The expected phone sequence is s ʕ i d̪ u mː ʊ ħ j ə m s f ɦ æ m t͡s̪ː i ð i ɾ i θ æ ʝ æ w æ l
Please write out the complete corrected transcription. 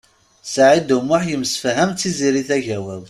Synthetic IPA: s ʕ i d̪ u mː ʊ ħ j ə m s f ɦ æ m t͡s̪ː i z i ɾ i θ æ ʝ æ w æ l